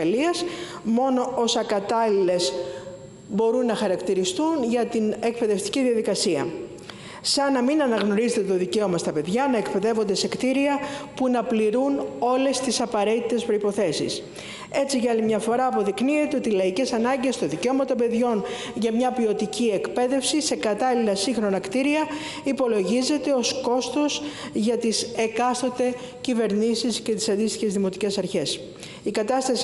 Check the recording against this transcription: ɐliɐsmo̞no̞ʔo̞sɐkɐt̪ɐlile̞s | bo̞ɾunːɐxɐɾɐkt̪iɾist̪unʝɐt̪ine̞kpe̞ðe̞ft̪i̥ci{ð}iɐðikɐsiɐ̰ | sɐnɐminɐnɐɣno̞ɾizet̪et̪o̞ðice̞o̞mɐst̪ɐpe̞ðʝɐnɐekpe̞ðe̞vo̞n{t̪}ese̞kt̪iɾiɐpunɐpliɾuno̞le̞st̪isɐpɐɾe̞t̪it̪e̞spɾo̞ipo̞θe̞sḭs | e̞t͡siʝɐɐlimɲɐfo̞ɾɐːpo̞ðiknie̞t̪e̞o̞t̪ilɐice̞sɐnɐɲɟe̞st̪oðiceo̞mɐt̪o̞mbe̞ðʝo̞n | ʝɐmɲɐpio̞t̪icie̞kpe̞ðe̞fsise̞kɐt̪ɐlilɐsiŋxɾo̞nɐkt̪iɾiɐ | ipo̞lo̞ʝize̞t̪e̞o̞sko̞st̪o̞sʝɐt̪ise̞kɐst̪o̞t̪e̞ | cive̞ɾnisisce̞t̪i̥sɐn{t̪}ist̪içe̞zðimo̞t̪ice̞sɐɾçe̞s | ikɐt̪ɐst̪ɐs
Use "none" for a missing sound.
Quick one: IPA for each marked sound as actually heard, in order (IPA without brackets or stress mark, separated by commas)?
ð, d̪, d̪